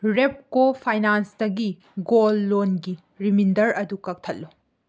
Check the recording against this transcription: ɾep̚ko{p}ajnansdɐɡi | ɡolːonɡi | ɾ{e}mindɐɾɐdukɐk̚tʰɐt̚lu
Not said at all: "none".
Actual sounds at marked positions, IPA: pʰ, i

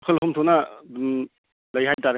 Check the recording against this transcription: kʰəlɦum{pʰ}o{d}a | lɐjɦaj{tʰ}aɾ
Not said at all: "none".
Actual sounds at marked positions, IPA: tʰ, n, t

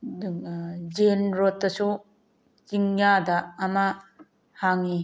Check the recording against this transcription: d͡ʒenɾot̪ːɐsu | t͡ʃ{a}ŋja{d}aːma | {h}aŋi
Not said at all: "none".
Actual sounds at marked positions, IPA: i, d, h

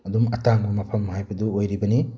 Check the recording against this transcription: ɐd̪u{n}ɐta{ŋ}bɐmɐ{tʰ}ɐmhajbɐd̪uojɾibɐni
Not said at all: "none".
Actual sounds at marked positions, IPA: m, ŋ, pʰ

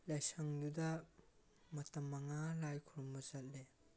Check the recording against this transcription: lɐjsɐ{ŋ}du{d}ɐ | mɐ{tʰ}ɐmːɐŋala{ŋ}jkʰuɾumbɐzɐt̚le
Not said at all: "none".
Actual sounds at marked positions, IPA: ŋ, d, t, none

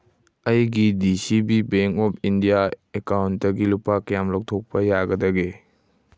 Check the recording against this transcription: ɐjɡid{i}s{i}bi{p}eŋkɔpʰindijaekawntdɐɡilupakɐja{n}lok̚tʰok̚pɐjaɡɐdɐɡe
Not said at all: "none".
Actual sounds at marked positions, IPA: i, i, b, m

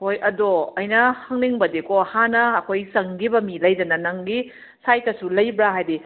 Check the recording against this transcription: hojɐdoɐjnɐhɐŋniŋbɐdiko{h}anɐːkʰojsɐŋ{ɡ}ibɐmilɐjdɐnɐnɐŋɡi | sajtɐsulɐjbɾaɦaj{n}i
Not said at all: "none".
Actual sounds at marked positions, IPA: h, ɡ, d

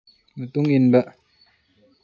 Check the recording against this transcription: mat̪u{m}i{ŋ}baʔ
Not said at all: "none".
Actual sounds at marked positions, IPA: ŋ, n

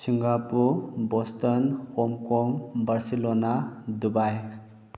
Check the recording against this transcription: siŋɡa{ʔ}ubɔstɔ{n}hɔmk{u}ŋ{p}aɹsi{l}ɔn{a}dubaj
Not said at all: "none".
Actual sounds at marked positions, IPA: p, n, ɔ, b, l, a

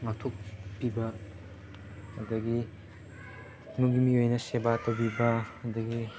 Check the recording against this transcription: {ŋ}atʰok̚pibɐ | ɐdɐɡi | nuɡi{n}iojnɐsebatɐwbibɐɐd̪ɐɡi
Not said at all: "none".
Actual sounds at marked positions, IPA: ŋ, m

